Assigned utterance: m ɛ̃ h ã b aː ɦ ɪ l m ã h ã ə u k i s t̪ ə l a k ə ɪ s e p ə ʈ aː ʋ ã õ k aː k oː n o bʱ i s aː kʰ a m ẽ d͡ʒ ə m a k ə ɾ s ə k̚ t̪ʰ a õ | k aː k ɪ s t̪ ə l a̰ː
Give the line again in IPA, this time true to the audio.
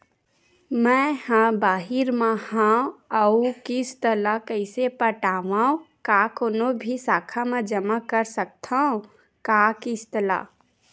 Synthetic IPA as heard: m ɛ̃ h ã b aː ɦ ɪ ɾ m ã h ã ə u k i s t̪ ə l a k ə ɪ s e p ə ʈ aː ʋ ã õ k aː k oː n o bʱ i s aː kʰ a m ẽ d͡ʒ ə m a k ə ɾ s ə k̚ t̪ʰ a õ | k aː k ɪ s t̪ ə l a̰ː